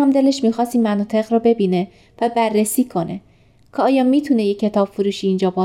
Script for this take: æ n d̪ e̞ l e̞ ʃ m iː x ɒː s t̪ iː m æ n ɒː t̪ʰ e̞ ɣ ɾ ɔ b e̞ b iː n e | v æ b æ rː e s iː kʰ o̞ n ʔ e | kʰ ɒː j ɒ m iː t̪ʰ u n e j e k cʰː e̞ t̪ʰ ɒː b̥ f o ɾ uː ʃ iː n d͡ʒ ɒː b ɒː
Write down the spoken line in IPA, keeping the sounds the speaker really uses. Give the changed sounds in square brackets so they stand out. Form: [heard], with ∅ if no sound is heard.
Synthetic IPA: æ [m] d̪ e̞ l e̞ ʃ m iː x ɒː s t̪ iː m æ n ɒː t̪ʰ e̞ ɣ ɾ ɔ b e̞ b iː n e | v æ b æ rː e s iː kʰ o̞ n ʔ e | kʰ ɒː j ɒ m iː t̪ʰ u n e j e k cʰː e̞ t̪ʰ ɒː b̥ f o ɾ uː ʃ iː n d͡ʒ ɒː b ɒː